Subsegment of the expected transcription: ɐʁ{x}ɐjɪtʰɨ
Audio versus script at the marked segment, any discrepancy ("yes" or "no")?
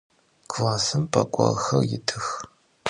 no